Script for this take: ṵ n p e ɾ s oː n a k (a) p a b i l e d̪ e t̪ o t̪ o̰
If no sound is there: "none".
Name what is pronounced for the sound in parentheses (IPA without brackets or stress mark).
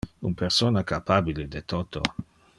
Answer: a